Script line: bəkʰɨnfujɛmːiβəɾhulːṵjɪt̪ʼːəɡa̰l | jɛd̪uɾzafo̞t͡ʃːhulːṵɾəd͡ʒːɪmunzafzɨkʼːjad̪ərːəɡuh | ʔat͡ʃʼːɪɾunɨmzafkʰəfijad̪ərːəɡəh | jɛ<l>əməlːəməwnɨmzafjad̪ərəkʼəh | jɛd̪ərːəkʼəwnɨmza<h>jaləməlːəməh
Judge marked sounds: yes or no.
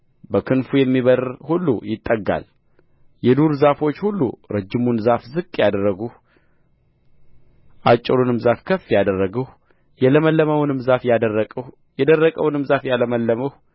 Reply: yes, no

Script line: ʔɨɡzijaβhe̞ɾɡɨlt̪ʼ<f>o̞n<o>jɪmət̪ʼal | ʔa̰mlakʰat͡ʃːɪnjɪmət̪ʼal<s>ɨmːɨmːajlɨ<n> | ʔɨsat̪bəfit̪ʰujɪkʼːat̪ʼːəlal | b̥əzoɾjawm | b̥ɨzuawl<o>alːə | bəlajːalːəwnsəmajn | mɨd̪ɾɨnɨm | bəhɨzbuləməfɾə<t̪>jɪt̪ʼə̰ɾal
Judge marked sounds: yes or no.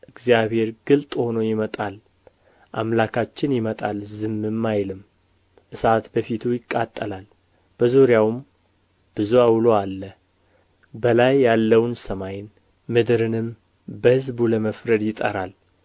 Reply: no, yes, no, no, yes, no

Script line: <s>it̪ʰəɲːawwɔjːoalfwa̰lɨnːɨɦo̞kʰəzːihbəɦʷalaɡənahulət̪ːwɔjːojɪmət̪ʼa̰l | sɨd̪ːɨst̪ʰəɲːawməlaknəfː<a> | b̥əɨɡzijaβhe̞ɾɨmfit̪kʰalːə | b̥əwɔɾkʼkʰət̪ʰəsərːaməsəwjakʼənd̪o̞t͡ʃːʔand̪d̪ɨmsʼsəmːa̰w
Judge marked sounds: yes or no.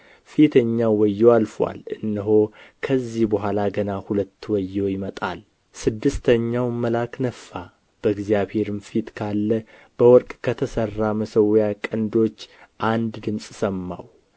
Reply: no, yes

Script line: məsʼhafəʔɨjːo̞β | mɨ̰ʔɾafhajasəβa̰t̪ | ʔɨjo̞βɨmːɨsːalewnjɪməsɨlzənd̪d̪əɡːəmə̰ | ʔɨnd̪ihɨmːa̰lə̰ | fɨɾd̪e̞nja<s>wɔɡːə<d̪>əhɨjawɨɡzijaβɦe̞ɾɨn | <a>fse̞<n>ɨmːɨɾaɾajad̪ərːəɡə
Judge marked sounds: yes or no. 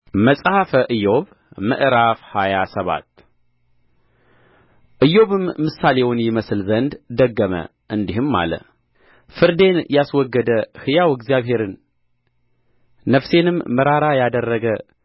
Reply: yes, yes, no, yes

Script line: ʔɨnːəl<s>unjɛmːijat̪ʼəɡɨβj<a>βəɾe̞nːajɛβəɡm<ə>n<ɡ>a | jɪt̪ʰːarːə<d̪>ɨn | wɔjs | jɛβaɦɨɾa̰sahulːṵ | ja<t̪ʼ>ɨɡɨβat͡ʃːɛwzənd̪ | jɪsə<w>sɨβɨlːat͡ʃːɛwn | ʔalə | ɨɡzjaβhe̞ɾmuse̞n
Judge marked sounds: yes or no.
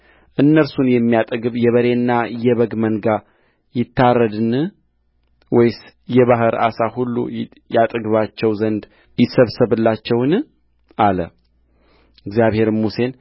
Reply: yes, no, yes, yes, yes, yes, no

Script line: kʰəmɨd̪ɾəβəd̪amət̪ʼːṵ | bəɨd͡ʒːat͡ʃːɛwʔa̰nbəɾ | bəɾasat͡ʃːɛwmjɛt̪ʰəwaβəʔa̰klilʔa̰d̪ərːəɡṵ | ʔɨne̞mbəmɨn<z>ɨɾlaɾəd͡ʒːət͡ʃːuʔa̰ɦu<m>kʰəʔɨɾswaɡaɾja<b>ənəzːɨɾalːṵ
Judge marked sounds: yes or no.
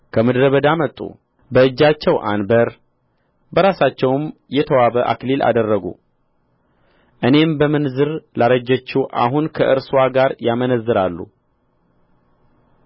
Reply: yes, no, no

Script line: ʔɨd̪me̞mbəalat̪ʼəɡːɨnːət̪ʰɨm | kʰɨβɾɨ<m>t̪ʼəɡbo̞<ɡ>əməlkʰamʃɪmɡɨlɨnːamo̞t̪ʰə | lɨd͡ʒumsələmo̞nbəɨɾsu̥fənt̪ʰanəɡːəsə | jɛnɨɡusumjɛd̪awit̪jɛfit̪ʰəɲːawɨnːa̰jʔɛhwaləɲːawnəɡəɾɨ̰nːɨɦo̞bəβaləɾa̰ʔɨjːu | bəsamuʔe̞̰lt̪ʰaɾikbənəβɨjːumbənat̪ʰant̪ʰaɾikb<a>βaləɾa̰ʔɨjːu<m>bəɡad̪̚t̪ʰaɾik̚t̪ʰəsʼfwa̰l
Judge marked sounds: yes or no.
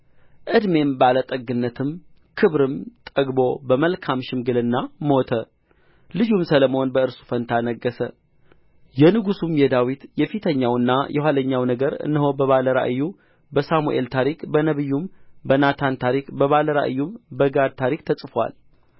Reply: yes, no, no, yes

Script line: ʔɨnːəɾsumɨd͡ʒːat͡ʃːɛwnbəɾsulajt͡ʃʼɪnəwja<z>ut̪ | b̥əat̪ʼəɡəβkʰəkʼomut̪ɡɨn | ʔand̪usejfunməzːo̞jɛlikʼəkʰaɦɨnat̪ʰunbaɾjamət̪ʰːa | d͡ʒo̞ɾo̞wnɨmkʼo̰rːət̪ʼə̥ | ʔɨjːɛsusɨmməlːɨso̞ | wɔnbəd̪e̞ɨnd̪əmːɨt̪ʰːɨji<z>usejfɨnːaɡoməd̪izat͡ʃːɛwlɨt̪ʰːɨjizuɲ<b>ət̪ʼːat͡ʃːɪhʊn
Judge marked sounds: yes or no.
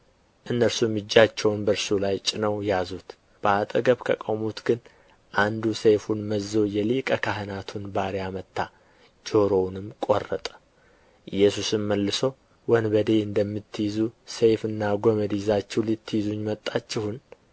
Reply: yes, yes, no

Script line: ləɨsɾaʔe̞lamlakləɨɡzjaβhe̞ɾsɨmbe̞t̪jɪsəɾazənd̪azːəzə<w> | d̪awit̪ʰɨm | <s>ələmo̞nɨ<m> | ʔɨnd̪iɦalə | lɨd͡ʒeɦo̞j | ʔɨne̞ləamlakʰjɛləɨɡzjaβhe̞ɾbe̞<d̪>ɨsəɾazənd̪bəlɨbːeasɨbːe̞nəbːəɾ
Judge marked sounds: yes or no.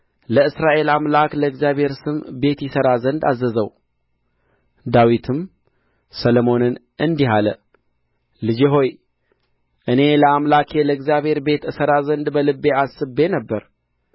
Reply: yes, yes, no, no

